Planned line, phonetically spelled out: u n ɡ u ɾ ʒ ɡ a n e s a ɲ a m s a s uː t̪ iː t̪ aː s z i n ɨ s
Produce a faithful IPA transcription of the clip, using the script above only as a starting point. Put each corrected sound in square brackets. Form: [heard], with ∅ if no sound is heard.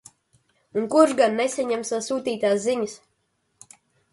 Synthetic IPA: u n [k] u ɾ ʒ ɡ a [nː] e s a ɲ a m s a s uː t̪ iː t̪ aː s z i [ɲ] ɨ s